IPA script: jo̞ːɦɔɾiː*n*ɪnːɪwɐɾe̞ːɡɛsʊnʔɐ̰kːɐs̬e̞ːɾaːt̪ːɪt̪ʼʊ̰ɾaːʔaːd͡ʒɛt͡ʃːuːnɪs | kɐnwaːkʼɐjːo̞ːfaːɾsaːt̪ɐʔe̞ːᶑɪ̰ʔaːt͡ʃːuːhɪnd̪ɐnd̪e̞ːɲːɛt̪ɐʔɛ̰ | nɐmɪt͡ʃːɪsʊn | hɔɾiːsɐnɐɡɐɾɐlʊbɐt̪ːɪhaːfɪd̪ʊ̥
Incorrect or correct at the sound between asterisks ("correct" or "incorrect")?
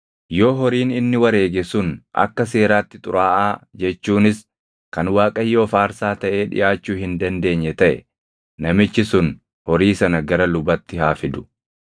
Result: correct